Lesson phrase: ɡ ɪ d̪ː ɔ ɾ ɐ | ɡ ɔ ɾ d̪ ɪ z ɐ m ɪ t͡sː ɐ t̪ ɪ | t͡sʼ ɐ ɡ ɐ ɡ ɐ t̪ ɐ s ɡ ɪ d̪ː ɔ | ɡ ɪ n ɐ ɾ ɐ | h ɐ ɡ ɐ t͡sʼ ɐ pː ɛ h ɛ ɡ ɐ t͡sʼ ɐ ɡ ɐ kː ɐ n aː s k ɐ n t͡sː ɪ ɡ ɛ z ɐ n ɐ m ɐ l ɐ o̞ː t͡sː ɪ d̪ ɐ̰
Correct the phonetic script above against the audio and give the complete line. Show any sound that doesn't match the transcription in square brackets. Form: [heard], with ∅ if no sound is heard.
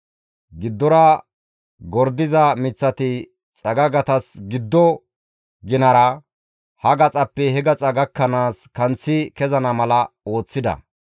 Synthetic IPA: ɡ ɪ d̪ː ɔ ɾ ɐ | ɡ ɔ ɾ d̪ ɪ z ɐ m ɪ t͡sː ɐ t̪ ɪ | t͡sʼ ɐ ɡ ɐ ɡ ɐ t̪ ɐ s ɡ ɪ d̪ː ɔ | ɡ ɪ n ɐ ɾ ɐ | h ɐ ɡ ɐ t͡sʼ ɐ pː ɛ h ɛ ɡ ɐ t͡sʼ ɐ ɡ ɐ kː ɐ n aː s k ɐ n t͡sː ɪ [k] ɛ z ɐ n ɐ m ɐ l ɐ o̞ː t͡sː ɪ d̪ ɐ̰

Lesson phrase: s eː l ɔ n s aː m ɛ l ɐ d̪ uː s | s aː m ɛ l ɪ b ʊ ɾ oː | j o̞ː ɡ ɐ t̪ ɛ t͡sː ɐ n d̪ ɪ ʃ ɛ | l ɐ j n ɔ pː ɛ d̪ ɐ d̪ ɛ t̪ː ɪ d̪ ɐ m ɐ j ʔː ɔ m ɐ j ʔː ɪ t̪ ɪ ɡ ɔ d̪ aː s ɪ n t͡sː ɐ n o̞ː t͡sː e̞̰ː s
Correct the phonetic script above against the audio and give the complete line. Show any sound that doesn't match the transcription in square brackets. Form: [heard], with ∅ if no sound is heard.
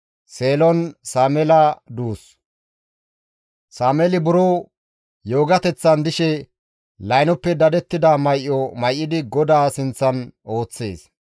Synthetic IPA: s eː l ɔ n s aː m ɛ l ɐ d̪ uː s | s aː m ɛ l ɪ b ʊ ɾ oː | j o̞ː ɡ ɐ t̪ ɛ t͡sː ɐ n d̪ ɪ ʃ ɛ | l ɐ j n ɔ pː ɛ d̪ ɐ d̪ ɛ t̪ː ɪ d̪ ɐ m ɐ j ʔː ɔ m ɐ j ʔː ɪ [d̪] ɪ ɡ ɔ d̪ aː s ɪ n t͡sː ɐ n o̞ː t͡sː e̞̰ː s

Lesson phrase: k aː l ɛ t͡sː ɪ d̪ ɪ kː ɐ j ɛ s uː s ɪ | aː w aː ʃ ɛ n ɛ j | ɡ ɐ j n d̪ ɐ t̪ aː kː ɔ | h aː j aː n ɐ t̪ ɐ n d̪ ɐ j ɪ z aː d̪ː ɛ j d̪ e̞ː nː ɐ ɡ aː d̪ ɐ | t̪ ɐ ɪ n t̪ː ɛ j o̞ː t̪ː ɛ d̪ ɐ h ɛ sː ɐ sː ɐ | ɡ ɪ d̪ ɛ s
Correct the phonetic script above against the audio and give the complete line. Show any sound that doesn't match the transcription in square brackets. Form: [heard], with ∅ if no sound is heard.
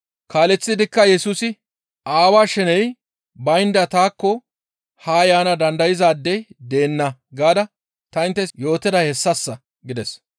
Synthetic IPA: k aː l ɛ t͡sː ɪ d̪ ɪ kː ɐ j ɛ s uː s ɪ | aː w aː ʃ ɛ n ɛ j | [b] ɐ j n d̪ ɐ t̪ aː kː ɔ | h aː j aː n ɐ [d̪] ɐ n d̪ ɐ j ɪ z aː d̪ː ɛ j d̪ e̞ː nː ɐ ɡ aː d̪ ɐ | t̪ ɐ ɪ n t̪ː ɛ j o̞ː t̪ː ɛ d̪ ɐ h ɛ sː ɐ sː ɐ | ɡ ɪ d̪ ɛ s

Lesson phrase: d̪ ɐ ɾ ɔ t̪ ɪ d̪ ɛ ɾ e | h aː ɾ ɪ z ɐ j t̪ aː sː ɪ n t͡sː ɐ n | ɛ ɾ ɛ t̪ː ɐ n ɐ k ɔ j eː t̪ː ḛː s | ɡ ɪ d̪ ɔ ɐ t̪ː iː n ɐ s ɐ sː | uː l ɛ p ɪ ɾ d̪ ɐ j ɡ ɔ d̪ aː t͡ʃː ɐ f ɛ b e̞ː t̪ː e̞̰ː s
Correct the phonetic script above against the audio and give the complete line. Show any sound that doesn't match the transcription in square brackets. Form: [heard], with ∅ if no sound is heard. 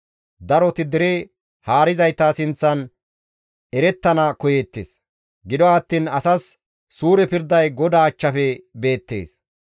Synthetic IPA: d̪ ɐ ɾ ɔ t̪ ɪ d̪ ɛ ɾ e | h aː ɾ ɪ z ɐ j t̪ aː [s] ɪ n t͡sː ɐ n | ɛ ɾ ɛ t̪ː ɐ n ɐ k ɔ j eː t̪ː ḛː s | ɡ ɪ d̪ ɔ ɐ t̪ː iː n ɐ s ɐ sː | uː [ɾ] ɛ p ɪ ɾ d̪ ɐ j ɡ ɔ d̪ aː t͡ʃː ɐ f ɛ b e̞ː t̪ː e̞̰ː s

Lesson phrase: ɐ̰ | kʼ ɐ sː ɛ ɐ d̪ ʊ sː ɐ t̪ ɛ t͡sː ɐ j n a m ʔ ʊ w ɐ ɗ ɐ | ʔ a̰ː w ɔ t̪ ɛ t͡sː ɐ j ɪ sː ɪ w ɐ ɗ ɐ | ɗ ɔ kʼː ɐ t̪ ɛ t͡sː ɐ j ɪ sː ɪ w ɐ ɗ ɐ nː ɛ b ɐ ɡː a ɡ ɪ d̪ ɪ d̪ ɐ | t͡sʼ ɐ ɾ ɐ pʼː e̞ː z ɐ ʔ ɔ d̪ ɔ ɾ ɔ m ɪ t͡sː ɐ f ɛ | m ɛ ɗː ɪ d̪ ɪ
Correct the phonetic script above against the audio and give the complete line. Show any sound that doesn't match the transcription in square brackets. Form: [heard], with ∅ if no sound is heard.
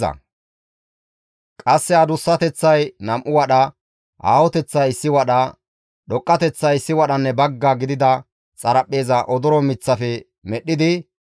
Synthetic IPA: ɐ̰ | kʼ ɐ sː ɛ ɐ d̪ ʊ sː ɐ t̪ ɛ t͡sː ɐ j n [ɐ] m ʔ ʊ w ɐ ɗ ɐ | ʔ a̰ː w ɔ t̪ ɛ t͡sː ɐ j ɪ sː ɪ w ɐ ɗ ɐ | ɗ ɔ kʼː ɐ t̪ ɛ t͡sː ɐ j ɪ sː ɪ w ɐ ɗ ɐ nː ɛ b ɐ ɡː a ɡ ɪ d̪ ɪ d̪ ɐ | t͡sʼ ɐ ɾ ɐ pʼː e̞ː z ɐ ʔ ɔ d̪ ɔ ɾ ɔ m ɪ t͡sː ɐ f ɛ | m ɛ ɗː ɪ d̪ ɪ

